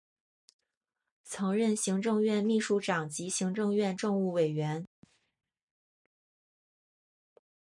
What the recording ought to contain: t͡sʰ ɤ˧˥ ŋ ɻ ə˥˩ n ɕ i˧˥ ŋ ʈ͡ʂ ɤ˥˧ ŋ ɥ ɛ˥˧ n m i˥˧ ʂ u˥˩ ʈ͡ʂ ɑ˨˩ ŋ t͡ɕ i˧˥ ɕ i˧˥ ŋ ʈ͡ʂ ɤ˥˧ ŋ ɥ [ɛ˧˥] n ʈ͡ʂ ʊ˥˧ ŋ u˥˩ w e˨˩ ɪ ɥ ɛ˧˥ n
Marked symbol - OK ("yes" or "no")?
no